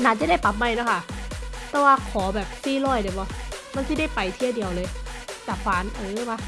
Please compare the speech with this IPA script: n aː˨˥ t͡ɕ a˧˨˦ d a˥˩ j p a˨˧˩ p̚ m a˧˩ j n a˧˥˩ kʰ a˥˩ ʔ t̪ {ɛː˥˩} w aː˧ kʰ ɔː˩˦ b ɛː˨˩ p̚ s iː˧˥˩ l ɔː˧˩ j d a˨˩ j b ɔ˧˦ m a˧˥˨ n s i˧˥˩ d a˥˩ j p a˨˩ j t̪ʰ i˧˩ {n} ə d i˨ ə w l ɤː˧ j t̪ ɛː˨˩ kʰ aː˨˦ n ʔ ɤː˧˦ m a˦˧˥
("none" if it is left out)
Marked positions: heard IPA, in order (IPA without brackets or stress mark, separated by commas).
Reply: ɛː˧˦, none